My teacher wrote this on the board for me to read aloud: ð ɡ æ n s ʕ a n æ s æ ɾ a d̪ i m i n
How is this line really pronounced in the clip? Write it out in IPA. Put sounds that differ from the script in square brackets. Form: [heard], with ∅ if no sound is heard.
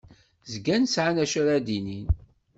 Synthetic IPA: [z] ɡ æ n s ʕ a n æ [ʃ] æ ɾ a d̪ i [n] i n